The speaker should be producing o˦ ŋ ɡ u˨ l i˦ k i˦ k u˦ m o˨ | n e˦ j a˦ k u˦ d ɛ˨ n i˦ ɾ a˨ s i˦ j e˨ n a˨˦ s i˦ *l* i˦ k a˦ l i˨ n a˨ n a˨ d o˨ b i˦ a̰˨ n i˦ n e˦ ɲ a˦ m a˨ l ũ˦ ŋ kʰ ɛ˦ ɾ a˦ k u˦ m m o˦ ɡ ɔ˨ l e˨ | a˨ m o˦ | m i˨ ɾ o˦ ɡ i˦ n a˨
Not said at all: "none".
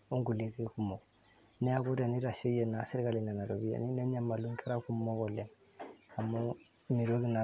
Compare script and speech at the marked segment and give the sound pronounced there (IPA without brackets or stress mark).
ɾ